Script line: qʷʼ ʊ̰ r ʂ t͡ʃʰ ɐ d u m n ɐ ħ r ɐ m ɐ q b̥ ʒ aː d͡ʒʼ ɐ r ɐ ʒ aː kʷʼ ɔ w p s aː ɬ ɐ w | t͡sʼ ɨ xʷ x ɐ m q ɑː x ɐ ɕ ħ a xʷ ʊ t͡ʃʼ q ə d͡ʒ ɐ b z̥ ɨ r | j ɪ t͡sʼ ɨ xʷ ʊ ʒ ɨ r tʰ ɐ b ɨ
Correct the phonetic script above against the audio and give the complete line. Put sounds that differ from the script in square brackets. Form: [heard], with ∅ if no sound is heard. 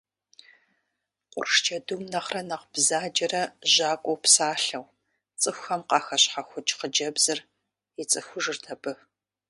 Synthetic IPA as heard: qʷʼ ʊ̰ r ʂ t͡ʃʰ ɐ d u m n ɐ [χ] r ɐ [n] ɐ q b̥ [z] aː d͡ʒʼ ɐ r ɐ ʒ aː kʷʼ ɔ w p s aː ɬ ɐ w | t͡sʼ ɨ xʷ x ɐ m q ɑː x ɐ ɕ ħ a xʷ ʊ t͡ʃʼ q ə d͡ʒ ɐ b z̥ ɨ r | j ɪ t͡sʼ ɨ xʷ ʊ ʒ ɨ r tʰ ɐ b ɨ